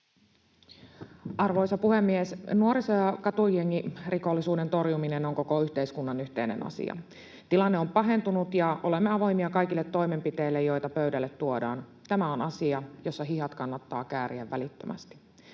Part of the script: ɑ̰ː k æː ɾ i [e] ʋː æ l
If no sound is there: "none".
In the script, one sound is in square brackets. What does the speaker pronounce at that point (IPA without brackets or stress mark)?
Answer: æ